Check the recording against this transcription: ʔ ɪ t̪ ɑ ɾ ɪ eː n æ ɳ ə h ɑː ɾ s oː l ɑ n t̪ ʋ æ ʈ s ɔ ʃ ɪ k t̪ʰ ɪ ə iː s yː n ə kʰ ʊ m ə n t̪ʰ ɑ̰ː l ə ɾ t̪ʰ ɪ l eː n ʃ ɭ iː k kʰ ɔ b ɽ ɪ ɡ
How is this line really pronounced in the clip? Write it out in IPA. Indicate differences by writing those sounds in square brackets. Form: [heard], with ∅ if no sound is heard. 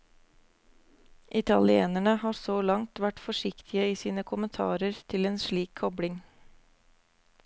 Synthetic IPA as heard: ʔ ɪ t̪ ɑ [l] ɪ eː n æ ɳ ə h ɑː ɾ s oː l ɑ [ŋ] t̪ ʋ æ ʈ [f] ɔ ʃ ɪ k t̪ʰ ɪ ə iː s [iː] n ə kʰ ʊ m ə n t̪ʰ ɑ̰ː [ɾ] ə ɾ t̪ʰ ɪ l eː n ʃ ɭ iː k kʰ ɔ b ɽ ɪ [ŋ]

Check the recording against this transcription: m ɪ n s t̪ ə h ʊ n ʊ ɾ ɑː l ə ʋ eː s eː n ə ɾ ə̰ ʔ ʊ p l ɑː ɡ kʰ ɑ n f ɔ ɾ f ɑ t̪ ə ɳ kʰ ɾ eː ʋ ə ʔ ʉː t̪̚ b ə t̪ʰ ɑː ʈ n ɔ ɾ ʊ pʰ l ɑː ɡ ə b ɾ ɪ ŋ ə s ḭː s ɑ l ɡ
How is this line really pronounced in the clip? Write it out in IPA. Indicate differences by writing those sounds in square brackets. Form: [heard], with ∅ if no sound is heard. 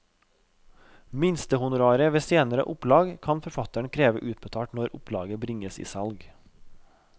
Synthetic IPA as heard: m ɪ n s t̪ ə h ʊ n ʊ ɾ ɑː [ɾ] ə ʋ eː s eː n ə ɾ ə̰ ʔ ʊ p l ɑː ɡ kʰ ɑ n f ɔ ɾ f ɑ t̪ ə ɳ kʰ ɾ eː ʋ ə ʔ ʉː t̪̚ b ə t̪ʰ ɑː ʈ n ɔ ɾ ʊ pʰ l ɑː ɡ ə b ɾ ɪ ŋ ə s ḭː s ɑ l ɡ

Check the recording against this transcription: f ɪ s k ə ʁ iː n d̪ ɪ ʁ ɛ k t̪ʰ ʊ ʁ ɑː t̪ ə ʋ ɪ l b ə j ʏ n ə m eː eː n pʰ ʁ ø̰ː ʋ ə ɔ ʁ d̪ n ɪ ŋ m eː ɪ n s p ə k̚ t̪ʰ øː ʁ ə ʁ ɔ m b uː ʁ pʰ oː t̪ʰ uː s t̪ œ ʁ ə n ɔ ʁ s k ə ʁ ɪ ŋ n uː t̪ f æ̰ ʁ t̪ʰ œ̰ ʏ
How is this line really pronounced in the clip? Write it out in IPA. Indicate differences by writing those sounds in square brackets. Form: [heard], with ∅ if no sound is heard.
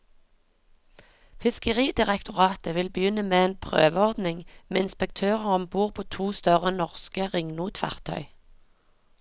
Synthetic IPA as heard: f ɪ s k ə ʁ iː [∅] d̪ ɪ ʁ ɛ k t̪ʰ ʊ ʁ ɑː t̪ ə ʋ ɪ l b ə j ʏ n ə m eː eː n pʰ ʁ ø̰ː ʋ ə ɔ ʁ d̪ n ɪ ŋ m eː ɪ n s p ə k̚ t̪ʰ øː ʁ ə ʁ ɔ m b uː ʁ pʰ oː t̪ʰ uː s t̪ œ ʁ ə n ɔ ʁ s k ə ʁ ɪ ŋ n uː t̪ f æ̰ ʁ t̪ʰ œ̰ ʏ

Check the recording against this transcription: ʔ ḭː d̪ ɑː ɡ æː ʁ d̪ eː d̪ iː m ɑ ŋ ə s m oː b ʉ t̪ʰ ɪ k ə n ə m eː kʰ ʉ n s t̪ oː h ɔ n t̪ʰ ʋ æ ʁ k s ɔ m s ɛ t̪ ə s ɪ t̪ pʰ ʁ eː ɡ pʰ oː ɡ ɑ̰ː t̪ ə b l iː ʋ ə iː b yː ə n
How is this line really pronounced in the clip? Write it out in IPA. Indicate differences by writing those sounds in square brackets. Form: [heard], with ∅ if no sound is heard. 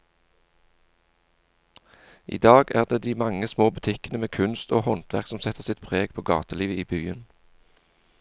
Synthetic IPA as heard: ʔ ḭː d̪ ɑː ɡ æː ʁ d̪ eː d̪ iː m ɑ ŋ ə s m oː b ʉ t̪ʰ ɪ k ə n ə m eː kʰ ʉ n s t̪ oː h ɔ n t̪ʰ ʋ æ ʁ k s ɔ m s ɛ t̪ ə s ɪ t̪ pʰ ʁ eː ɡ pʰ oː ɡ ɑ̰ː t̪ ə [∅] l iː ʋ ə iː b yː ə n

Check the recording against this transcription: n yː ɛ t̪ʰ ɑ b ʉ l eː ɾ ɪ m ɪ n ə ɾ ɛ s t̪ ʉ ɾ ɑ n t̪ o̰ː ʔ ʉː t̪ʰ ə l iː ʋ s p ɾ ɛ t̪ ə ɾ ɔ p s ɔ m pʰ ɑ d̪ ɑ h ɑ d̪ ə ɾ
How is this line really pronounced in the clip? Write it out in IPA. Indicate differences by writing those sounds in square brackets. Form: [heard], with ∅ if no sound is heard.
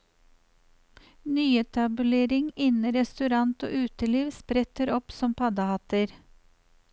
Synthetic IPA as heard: n yː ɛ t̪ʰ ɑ b ʉ l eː ɾ ɪ [ŋ] ɪ n ə ɾ ɛ s t̪ ʉ ɾ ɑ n t̪ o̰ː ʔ ʉː [t̪] ə l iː ʋ s p ɾ ɛ t̪ ə ɾ ɔ p s ɔ m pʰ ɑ d̪ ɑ h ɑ [t̪] ə ɾ

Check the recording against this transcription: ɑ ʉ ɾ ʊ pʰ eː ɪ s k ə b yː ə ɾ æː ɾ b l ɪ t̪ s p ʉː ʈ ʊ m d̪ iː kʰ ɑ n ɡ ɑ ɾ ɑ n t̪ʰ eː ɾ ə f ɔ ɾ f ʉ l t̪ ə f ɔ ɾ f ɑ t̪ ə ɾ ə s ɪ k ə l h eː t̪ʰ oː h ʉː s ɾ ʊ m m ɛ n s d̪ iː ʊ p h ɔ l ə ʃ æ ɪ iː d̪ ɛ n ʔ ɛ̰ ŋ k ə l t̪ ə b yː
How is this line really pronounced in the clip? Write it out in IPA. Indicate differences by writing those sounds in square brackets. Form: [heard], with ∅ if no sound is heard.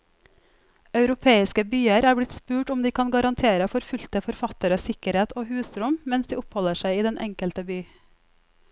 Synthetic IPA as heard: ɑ ʉ ɾ ʊ pʰ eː ɪ s k ə b yː ə ɾ æː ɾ b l ɪ t̪ s p ʉː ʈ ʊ m d̪ iː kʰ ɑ n ɡ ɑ ɾ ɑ n t̪ʰ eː ɾ ə f ɔ ɾ f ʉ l t̪ ə f ɔ ɾ f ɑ t̪ ə ɾ ə s ɪ k ə [ɾ] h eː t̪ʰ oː h ʉː s ɾ ʊ m m ɛ n s d̪ iː ʊ p h ɔ l ə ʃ æ ɪ iː d̪ ɛ n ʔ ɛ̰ ŋ k ə l t̪ ə b yː

